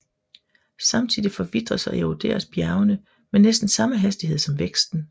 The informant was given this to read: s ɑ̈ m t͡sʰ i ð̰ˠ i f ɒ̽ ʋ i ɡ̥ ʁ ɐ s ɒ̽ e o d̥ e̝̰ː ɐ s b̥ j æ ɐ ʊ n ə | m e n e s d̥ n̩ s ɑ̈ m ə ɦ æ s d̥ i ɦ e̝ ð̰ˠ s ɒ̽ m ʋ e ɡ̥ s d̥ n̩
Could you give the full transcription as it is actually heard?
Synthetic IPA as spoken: s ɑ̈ m t͡sʰ i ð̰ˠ i f ɒ̽ ʋ i d̥ ʁ ɐ s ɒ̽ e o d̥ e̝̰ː ɐ s b̥ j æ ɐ ʊ n ə | m e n e s d̥ n̩ s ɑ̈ m ə ɦ æ s d̥ i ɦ e̝ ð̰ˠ s ɒ̽ m ʋ e ɡ̥ s d̥ n̩